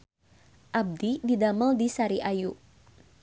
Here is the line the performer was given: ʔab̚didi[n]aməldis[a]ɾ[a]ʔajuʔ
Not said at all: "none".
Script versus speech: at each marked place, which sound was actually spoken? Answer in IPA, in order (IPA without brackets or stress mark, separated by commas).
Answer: d, a, i